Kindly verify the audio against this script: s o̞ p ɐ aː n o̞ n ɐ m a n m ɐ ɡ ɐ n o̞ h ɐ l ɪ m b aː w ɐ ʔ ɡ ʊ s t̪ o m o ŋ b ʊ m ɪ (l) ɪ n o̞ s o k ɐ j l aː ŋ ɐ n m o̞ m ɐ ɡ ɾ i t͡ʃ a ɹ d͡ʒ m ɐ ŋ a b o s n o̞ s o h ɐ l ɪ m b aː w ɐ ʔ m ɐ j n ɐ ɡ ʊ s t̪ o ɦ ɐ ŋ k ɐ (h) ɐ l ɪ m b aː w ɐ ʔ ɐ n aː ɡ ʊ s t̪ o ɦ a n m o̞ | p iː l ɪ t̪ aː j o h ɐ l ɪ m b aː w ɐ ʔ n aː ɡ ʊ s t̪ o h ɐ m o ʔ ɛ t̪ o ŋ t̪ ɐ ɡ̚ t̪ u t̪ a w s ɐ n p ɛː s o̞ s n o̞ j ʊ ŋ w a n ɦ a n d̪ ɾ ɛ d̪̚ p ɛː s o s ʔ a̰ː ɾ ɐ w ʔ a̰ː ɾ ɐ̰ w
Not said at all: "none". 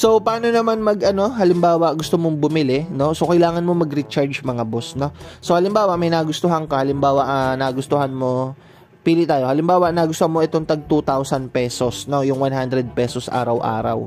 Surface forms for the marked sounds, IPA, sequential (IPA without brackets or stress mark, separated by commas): l, h